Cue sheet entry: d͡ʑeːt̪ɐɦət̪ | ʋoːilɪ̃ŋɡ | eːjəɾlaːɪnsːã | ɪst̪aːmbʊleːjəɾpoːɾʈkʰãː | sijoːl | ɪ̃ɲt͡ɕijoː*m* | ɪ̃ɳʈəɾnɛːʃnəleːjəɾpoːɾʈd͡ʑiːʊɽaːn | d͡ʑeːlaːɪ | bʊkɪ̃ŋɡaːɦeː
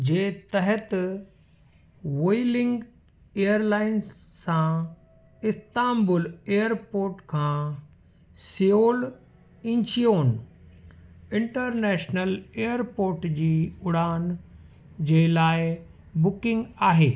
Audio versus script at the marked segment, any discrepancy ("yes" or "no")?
yes